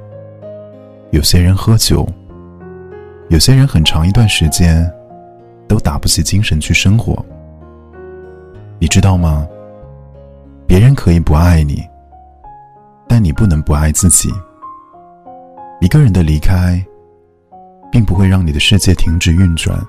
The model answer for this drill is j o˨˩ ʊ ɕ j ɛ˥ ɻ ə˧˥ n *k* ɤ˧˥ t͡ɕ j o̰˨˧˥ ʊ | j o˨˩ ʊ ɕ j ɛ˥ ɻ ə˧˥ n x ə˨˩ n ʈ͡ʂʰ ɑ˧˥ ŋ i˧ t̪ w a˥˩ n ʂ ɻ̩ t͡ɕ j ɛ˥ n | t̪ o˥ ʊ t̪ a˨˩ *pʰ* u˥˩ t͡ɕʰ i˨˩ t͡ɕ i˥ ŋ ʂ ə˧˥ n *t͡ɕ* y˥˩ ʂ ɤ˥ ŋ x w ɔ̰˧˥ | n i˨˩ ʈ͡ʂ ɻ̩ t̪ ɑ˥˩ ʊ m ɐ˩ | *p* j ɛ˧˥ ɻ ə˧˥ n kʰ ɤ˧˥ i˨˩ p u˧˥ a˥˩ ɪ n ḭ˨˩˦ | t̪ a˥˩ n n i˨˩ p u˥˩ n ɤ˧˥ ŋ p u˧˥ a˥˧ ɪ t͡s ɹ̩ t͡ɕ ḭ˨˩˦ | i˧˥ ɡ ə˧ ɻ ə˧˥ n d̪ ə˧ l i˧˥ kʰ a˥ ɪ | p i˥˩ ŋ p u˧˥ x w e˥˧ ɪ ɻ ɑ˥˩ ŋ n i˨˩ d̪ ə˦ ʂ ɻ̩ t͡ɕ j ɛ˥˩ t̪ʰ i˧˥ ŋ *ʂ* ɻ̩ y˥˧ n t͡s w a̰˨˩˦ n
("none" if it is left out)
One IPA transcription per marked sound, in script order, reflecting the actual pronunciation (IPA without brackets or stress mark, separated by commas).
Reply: x, p, t͡ɕʰ, p, ʈ͡ʂ